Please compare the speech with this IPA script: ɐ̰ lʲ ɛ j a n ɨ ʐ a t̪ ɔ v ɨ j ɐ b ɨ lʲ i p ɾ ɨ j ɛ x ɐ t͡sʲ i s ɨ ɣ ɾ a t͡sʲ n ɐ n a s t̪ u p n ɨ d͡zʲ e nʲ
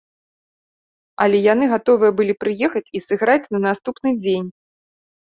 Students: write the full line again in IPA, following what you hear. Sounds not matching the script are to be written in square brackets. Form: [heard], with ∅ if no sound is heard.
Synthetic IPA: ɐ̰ lʲ ɛ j a n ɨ [ɣ] a t̪ ɔ v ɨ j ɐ b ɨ lʲ i p ɾ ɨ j ɛ x ɐ t͡sʲ i s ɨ ɣ ɾ a t͡sʲ n ɐ n a s t̪ u p n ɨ d͡zʲ e nʲ